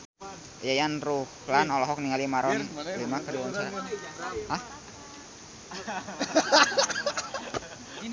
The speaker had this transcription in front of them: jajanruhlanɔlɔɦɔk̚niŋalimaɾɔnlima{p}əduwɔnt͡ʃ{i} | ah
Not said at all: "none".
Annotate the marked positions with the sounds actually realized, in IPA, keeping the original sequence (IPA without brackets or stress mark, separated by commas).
k, a